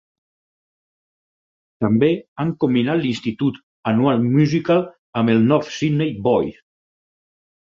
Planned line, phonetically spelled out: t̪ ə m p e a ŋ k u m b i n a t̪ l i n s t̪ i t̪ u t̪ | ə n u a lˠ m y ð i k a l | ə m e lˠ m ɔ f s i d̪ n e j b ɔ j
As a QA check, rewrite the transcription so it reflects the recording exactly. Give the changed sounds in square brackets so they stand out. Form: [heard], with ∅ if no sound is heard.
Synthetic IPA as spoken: t̪ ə m [b] e a ŋ k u m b i n a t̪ l i n s t̪ i t̪ u t̪ | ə n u a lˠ m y [z] i k a l | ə m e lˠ [n] ɔ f s i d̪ n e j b ɔ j